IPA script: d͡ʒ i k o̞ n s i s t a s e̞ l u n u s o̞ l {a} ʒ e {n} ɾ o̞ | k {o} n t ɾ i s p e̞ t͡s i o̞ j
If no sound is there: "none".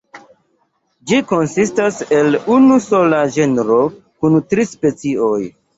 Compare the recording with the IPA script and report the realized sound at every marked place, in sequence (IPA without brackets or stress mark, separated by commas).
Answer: a, n, u